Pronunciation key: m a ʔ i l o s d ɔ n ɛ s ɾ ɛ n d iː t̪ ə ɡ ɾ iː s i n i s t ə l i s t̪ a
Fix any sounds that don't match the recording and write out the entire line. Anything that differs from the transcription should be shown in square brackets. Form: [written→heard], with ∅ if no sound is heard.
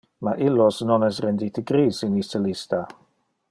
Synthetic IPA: m a ʔ i l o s [d→n] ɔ n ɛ s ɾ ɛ n d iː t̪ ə ɡ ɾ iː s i n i s t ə l i s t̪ a